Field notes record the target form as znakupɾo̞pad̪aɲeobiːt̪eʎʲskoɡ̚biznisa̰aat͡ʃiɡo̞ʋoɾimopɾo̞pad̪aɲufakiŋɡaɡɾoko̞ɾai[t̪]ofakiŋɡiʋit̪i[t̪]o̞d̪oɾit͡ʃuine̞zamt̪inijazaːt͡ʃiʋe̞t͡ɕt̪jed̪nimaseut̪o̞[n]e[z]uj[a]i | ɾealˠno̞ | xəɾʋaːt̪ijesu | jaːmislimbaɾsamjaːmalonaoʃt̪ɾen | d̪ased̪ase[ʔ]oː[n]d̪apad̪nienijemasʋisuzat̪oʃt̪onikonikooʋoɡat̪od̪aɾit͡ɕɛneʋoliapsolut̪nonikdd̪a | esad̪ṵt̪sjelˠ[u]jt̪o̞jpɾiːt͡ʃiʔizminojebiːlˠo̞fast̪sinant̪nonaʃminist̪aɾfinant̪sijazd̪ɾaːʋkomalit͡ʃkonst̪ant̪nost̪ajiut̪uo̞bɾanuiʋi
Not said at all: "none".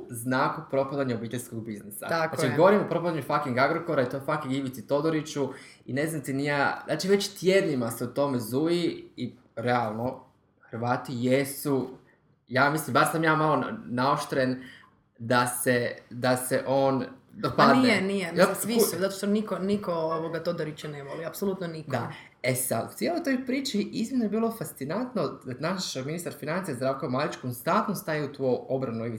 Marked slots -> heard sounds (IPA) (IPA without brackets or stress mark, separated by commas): t̪, t̪, m, z, i, ʔ, n, o